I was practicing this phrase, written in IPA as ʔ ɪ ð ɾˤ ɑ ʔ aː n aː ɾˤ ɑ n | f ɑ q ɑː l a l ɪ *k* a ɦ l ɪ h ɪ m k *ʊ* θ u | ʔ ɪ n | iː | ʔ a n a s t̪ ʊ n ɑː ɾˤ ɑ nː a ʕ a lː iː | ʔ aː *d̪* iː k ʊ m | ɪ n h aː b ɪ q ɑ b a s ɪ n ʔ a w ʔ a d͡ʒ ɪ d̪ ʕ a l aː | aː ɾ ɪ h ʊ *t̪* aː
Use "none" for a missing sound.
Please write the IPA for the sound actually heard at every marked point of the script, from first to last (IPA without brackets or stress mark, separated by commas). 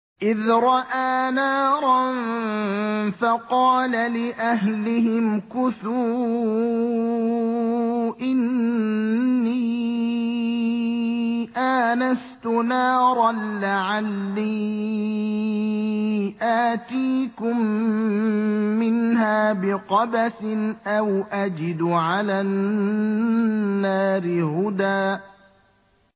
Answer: ʔ, ʊ, t̪, d̪